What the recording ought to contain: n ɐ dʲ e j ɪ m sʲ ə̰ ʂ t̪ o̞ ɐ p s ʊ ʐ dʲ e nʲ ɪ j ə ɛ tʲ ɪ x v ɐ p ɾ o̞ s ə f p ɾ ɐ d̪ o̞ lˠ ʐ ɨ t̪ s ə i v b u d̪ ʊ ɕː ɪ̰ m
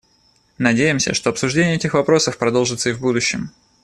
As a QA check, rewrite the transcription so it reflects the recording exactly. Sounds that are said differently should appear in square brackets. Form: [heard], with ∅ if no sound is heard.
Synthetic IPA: n ɐ dʲ e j ɪ m sʲ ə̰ ʂ t̪ o̞ ɐ p s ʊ ʐ dʲ e nʲ ɪ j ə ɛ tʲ ɪ x v ɐ p ɾ o̞ s ə f p ɾ ɐ d̪ o̞ lˠ ʐ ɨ t̪ s ə i v b u d̪ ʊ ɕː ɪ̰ m